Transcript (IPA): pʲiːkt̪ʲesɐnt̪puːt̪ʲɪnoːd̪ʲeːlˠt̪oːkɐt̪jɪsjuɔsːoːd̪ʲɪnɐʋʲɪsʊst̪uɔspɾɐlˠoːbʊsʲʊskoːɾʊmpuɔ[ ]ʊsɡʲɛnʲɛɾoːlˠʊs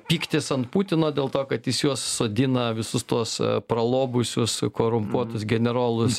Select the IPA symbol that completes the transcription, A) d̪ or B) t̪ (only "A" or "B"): B